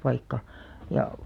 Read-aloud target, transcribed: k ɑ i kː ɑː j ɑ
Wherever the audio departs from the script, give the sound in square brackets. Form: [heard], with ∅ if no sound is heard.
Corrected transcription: [p] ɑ i kː [ɑ] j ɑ